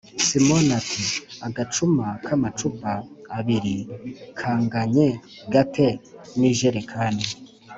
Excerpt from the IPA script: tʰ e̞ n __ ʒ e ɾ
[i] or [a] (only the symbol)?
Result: i